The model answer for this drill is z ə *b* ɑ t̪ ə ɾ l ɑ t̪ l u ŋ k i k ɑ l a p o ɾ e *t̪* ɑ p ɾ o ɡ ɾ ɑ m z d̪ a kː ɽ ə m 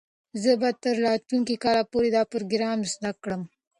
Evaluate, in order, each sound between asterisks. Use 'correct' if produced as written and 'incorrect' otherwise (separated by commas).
correct, incorrect